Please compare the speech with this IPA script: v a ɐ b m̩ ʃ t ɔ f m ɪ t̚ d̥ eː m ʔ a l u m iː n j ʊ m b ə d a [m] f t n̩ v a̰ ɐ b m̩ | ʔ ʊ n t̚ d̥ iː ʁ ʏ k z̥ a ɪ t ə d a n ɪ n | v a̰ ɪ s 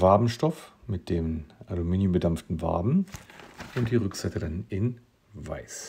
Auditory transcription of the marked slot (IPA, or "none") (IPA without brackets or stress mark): m